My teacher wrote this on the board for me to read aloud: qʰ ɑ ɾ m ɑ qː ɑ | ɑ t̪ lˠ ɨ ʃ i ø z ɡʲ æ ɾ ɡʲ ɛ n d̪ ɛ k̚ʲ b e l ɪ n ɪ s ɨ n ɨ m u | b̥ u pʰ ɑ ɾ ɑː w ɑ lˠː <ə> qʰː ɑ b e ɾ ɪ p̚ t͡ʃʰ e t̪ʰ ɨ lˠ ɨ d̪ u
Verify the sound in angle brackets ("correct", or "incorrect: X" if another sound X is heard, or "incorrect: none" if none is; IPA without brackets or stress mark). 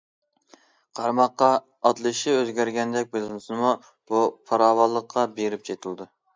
correct